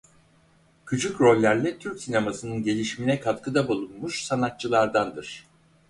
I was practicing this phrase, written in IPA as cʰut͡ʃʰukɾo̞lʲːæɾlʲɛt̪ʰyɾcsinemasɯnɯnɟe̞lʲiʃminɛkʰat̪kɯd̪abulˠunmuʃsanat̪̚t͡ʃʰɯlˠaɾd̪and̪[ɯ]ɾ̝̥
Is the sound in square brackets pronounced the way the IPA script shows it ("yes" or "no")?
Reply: yes